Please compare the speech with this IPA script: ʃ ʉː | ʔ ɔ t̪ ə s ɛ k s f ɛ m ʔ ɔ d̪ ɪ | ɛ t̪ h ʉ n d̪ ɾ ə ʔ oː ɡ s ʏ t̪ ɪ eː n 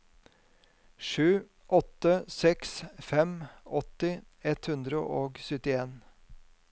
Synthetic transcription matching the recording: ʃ ʉː | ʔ ɔ t̪ ə s ɛ k s f ɛ m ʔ ɔ t̪ ɪ | ɛ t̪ h ʉ n d̪ ɾ ə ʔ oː ɡ s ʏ t̪ ɪ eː n